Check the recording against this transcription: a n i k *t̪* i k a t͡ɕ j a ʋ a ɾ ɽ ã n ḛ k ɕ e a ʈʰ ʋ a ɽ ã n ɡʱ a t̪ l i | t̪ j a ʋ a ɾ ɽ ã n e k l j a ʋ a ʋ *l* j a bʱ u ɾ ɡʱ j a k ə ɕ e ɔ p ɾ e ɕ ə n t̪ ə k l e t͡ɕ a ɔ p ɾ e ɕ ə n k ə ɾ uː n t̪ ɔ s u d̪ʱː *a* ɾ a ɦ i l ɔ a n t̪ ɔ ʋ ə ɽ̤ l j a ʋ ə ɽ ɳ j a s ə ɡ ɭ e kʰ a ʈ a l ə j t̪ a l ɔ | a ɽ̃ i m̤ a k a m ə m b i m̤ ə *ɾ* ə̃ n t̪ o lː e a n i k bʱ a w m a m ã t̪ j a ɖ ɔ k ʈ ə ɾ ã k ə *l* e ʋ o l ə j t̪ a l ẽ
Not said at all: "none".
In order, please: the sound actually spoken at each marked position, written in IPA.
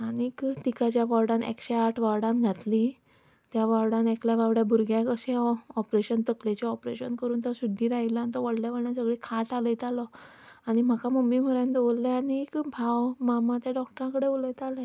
t̪, ɽ, i, ɾ, ɽ

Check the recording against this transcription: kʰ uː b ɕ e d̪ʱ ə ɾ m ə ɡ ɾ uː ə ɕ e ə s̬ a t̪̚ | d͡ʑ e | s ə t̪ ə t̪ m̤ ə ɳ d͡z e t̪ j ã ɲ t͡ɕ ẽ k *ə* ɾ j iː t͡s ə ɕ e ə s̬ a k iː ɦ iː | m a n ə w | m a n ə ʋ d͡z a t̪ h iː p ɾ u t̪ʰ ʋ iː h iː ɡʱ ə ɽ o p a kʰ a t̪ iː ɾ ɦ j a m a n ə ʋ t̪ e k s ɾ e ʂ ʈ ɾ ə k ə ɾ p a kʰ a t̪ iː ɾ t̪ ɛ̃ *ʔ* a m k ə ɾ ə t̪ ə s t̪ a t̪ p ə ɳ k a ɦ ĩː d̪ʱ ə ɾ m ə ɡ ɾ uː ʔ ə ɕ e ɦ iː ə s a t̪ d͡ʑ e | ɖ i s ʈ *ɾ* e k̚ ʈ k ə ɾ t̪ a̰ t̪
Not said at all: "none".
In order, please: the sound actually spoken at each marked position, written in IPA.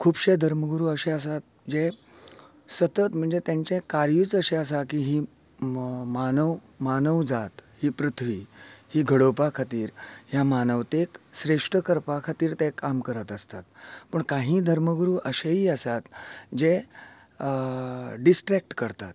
a, k, ɾ

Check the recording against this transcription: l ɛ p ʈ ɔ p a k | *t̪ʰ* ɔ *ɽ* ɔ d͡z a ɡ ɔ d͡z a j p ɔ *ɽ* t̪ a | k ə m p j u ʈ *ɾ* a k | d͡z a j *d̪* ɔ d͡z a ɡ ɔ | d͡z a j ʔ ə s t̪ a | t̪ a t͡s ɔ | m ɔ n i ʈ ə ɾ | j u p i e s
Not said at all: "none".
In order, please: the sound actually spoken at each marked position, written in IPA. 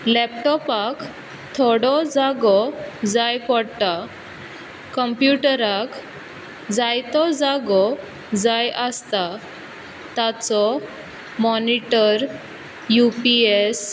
t̪ʰ, ɽ, ɽ, ɾ, t̪

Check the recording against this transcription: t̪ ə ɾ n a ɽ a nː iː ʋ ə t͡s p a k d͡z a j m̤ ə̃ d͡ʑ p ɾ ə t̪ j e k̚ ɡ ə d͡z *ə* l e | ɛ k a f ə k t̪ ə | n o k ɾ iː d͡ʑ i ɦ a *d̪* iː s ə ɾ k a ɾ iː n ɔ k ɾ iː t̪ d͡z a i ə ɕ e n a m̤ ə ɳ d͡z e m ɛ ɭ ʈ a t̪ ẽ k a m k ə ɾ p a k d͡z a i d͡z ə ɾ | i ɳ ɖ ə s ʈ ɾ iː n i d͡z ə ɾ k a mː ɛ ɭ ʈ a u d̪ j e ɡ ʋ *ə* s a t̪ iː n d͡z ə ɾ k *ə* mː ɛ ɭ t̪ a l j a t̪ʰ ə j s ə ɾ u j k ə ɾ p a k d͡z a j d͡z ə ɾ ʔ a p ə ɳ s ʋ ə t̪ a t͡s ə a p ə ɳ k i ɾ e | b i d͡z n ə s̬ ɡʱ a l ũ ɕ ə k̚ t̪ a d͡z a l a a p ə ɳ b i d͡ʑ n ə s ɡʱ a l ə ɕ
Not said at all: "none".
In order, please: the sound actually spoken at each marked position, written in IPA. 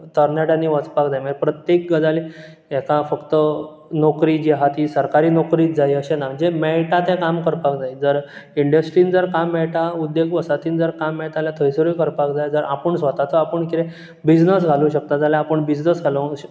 a, t̪, ə, a

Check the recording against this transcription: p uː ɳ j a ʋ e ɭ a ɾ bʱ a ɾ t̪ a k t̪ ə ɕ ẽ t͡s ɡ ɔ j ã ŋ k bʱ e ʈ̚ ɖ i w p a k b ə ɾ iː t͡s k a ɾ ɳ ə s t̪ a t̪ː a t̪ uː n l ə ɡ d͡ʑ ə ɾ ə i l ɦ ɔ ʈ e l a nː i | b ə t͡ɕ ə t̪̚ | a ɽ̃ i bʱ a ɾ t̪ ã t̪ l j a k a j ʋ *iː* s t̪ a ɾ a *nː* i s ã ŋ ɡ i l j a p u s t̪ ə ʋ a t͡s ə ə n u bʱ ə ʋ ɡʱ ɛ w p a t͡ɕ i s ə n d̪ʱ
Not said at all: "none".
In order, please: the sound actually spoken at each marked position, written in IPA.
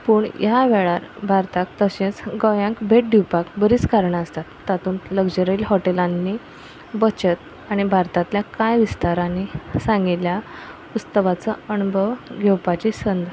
i, n

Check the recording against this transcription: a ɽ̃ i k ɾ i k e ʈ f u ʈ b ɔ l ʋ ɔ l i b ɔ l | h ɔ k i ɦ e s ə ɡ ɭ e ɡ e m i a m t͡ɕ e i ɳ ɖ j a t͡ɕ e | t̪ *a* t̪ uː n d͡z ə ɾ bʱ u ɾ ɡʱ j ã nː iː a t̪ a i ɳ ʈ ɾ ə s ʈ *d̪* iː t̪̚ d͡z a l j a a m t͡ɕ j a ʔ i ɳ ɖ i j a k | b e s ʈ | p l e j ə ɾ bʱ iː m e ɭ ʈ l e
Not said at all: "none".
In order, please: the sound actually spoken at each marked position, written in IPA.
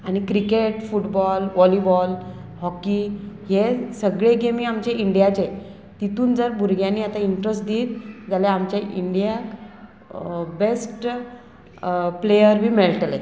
i, d̪

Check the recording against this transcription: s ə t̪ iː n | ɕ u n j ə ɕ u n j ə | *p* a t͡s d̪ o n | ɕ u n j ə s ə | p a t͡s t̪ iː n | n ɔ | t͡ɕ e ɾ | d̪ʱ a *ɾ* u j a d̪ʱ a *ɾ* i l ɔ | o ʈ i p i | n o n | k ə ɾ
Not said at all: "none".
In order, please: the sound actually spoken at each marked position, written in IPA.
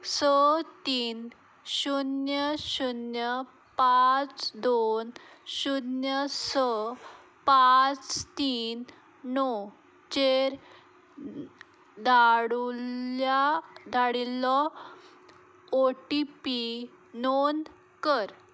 p, ɽ, ɽ

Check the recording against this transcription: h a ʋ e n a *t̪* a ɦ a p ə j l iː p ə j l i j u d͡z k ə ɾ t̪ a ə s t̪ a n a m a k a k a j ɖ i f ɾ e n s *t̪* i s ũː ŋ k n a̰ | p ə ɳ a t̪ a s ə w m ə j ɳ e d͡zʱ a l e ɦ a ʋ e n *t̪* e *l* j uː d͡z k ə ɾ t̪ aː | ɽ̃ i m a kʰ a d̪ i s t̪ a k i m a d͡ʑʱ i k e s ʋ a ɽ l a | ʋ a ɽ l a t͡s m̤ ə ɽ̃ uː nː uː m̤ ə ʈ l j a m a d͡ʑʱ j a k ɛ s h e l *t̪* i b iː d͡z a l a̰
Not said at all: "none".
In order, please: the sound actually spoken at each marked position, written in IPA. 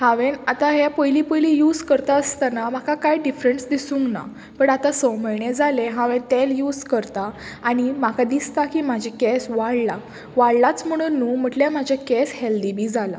t̪, d̪, t̪, l, d̪

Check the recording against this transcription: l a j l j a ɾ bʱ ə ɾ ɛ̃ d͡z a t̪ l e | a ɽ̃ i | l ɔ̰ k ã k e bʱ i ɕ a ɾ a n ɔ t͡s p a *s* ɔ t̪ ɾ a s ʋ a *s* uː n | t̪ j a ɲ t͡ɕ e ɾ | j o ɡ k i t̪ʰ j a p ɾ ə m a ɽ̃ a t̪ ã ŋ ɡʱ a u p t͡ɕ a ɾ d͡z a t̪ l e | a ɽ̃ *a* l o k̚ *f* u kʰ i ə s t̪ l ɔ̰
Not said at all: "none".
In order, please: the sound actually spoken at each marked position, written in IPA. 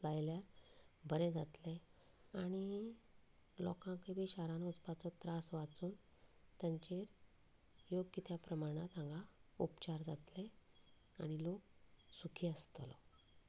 t͡s, t͡s, i, s

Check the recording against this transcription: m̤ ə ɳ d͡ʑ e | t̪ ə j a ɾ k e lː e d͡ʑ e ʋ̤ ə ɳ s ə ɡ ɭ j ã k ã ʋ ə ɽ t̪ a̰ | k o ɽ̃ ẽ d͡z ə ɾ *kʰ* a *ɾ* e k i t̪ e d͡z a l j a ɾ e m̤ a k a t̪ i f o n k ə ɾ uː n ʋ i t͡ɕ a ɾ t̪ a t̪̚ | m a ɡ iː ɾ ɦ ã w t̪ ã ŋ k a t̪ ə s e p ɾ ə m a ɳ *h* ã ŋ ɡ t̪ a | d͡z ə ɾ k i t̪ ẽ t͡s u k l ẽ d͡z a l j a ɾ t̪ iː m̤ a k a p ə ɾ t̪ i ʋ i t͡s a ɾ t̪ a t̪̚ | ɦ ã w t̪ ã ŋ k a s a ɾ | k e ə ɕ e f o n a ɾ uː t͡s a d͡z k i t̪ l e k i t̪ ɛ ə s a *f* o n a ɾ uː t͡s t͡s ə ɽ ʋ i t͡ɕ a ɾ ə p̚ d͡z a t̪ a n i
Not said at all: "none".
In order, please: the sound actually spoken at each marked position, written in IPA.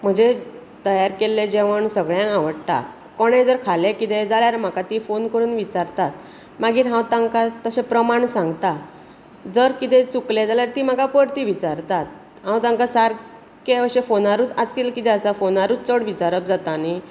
kʰ, l, s, f

